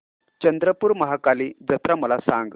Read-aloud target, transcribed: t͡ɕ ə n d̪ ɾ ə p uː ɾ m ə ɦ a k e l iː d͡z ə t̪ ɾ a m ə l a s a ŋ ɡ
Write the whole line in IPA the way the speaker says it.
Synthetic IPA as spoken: t͡ɕ ə n d̪ ɾ ə p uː ɾ m ə ɦ a k a l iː d͡z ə t̪ ɾ a m ə l a s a ŋ ɡ